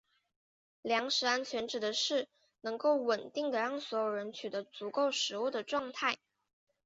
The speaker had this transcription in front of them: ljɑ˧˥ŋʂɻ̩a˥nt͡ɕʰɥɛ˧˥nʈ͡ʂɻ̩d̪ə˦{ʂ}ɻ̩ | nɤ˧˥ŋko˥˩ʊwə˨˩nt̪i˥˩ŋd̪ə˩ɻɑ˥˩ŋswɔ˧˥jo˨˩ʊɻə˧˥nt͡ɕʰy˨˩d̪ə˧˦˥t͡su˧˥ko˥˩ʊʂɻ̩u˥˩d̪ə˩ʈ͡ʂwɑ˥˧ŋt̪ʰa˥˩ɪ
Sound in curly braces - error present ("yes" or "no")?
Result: no